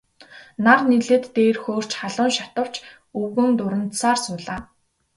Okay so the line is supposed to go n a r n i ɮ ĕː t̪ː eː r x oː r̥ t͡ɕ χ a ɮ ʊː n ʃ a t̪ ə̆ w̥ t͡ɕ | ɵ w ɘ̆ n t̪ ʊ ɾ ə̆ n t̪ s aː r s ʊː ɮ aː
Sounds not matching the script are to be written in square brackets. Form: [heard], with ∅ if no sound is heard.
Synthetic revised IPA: n a r n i ɮ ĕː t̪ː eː r x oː r̥ t͡ɕ χ a ɮ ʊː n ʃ a t̪ ə̆ w̥ t͡ɕ | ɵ [ɣ] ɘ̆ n t̪ ʊ ɾ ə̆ n t̪ s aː r s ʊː ɮ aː